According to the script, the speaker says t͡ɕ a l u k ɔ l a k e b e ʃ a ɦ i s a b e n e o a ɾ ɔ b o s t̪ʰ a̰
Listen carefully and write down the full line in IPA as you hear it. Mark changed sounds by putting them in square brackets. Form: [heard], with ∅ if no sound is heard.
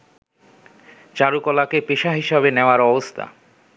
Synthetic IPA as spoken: t͡ɕ a [ɾ] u k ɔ l a k e [p] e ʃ a ɦ i [ʃ] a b e n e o a ɾ ɔ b o s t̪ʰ a̰